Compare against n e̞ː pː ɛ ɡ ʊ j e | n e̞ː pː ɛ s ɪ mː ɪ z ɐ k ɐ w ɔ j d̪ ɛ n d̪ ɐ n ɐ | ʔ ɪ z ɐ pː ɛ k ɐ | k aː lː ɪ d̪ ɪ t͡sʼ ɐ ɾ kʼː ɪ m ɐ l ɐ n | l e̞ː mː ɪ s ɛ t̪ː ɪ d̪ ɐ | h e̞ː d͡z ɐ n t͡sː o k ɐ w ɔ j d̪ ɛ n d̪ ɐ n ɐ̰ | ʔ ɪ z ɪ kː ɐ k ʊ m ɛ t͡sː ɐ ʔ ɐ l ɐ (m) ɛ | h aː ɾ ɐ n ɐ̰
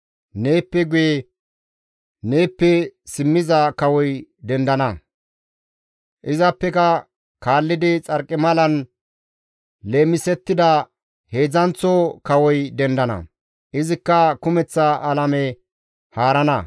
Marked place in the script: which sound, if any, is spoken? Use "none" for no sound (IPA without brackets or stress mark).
m